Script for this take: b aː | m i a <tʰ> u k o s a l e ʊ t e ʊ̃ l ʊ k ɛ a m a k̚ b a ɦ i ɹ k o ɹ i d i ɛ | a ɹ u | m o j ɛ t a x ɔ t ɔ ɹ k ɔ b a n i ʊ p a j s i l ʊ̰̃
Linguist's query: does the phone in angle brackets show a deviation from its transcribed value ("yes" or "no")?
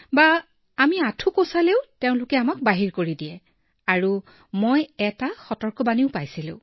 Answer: no